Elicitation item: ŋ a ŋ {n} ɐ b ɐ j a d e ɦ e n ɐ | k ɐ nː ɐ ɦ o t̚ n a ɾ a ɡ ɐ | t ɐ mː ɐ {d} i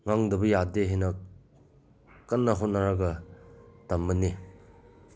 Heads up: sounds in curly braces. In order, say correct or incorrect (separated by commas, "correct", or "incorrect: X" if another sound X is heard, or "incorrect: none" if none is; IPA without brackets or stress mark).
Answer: incorrect: d, incorrect: n